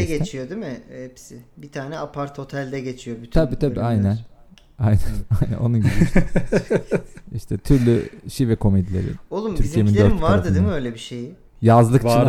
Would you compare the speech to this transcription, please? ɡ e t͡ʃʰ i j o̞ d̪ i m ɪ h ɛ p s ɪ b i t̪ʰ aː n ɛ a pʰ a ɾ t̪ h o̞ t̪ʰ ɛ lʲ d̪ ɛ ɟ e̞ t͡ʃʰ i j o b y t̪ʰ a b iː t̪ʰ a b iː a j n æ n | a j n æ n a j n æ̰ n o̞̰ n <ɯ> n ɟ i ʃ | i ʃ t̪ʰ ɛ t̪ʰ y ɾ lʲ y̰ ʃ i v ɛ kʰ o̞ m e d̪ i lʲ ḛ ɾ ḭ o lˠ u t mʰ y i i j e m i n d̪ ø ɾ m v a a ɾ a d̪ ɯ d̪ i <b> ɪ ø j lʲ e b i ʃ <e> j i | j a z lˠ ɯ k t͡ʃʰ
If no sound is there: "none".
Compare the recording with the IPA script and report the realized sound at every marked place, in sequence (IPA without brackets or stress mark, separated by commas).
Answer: u, m, e